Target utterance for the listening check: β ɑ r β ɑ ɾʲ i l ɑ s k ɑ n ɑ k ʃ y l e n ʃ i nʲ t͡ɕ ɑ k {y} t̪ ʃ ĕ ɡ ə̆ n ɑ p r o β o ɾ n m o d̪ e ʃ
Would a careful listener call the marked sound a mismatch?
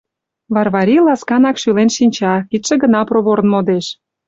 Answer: yes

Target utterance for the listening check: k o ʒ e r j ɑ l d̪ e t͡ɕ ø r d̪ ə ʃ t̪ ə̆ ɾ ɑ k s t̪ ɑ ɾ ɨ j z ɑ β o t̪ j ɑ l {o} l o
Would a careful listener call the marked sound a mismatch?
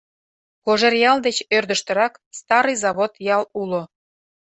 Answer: yes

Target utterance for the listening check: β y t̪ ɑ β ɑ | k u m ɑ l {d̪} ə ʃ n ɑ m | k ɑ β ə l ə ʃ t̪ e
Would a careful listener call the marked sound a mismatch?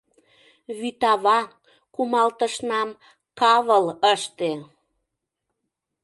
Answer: yes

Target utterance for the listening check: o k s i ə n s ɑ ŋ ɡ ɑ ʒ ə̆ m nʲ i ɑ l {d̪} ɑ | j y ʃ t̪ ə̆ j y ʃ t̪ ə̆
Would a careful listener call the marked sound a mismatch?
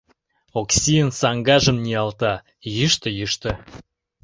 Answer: yes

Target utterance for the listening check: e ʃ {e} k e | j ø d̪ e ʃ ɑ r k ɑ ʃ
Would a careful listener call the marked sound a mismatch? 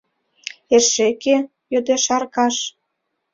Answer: no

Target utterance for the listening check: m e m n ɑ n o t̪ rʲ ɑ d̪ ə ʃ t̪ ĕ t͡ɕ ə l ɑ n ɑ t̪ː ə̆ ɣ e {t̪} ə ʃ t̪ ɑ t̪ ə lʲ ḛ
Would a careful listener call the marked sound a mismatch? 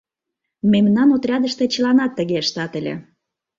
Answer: yes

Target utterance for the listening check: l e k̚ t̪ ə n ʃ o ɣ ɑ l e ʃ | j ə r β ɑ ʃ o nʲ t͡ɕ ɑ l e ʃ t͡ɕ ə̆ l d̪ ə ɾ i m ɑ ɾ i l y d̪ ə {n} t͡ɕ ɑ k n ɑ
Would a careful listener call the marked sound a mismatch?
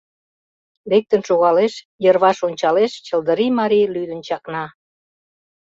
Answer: no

